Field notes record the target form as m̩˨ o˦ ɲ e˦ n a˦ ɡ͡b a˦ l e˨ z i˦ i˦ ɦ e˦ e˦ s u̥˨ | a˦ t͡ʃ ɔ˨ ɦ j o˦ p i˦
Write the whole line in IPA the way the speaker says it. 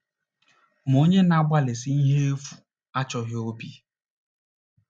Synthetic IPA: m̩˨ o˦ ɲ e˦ n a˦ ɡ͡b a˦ l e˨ s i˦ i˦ ɦ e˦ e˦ f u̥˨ | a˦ t͡ʃ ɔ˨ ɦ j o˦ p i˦